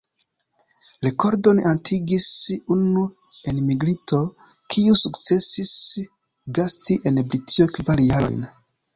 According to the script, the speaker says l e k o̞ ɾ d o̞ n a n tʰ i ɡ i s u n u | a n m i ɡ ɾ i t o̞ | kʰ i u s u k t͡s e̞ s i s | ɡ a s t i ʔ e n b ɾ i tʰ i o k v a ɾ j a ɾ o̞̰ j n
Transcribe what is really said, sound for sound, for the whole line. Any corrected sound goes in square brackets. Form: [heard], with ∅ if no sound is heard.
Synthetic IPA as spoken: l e k o̞ ɾ d o̞ n a n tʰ i ɡ i s u n u | [e] n m i ɡ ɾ i t o̞ | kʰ i u s u k t͡s e̞ s i s | ɡ a s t i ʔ e n b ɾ i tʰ i o k v a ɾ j a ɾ o̞̰ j n